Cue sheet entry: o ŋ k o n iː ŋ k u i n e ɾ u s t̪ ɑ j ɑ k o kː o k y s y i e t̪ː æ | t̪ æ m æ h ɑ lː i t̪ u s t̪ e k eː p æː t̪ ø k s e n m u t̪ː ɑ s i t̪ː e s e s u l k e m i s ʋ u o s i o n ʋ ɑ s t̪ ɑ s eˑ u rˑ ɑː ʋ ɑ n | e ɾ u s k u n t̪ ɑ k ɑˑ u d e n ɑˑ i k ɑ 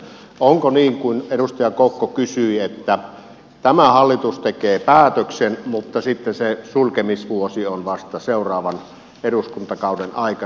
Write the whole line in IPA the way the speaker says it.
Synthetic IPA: o ŋ k o n iː ŋ k u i n e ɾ u s t̪ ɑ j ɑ k o kː o k y s y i e t̪ː æ | t̪ æ m æ h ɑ lː i t̪ u s t̪ e k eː p æː t̪ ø k s e n m u t̪ː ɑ s i t̪ː e s e s u l k e m i s ʋ u o s i o n ʋ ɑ s t̪ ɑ s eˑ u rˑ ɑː ʋ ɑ n | e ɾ u s k u n t̪ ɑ k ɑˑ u d e n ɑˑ i k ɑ